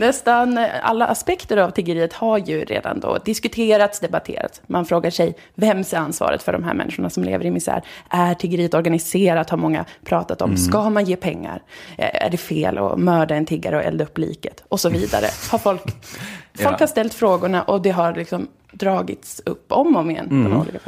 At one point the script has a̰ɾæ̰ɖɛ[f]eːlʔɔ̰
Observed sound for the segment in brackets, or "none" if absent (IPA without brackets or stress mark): f